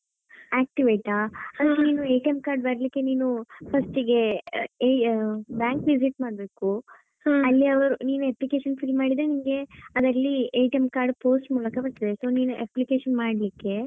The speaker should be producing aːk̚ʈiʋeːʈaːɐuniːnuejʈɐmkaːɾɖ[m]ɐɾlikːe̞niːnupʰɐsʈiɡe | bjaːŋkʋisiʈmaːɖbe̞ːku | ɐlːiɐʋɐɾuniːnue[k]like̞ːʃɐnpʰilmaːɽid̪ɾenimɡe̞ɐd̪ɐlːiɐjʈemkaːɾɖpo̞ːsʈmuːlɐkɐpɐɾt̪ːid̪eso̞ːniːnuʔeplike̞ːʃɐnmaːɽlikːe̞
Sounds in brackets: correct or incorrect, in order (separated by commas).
incorrect, incorrect